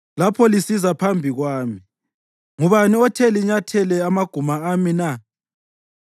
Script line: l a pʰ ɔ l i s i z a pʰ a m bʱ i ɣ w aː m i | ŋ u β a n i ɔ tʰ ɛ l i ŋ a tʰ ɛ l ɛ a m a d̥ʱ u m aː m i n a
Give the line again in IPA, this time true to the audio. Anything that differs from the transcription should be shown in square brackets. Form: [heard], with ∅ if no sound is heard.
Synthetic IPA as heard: l a pʰ ɔ l i s i z a pʰ a m bʱ i ɣ w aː m i | ŋ u β a n i ɔ tʰ ɛ l i [ɲ] a tʰ ɛ l ɛ a m a [ɡ̥ʱ] u m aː m i n a